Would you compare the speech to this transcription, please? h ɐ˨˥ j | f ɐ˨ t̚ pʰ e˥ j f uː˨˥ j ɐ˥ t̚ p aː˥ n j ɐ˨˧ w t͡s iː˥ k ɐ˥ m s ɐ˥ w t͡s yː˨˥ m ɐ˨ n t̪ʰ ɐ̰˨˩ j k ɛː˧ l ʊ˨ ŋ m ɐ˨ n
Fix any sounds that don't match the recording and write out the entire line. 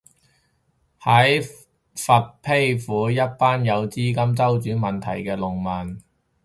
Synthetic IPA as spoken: h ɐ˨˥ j | f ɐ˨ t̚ pʰ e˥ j f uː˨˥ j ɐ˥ t̚ p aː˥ n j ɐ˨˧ w t͡s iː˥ k ɐ˥ m t͡s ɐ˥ w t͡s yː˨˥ m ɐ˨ n t̪ʰ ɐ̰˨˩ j k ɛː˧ l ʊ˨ ŋ m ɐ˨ n